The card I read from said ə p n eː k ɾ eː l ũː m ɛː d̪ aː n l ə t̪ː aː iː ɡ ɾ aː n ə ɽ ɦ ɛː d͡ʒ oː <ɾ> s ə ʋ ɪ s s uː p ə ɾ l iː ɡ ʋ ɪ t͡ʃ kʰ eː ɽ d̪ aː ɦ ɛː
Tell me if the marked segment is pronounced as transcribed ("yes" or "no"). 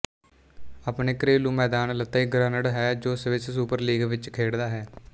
no